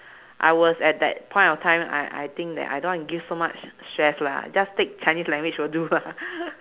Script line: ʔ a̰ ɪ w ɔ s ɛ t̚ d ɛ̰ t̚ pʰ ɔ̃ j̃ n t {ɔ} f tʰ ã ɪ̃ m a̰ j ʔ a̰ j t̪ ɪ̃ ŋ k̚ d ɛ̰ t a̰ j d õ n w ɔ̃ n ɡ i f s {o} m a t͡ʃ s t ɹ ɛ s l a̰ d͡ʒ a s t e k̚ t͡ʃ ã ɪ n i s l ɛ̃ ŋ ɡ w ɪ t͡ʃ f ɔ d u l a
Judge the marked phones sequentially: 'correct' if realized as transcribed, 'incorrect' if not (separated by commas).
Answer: correct, correct